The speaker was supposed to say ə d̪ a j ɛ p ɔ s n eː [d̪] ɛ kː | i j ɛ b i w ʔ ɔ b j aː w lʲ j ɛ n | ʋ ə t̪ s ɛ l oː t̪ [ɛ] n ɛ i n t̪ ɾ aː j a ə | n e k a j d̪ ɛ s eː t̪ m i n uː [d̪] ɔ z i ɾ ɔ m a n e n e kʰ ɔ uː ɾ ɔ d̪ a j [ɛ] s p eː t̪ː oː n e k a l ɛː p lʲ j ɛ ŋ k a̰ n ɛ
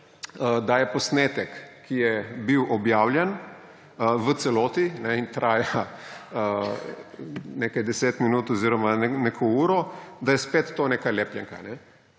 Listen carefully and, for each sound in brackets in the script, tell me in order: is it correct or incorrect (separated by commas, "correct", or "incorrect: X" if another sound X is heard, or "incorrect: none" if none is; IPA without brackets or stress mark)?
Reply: incorrect: t̪, incorrect: i, incorrect: t̪, correct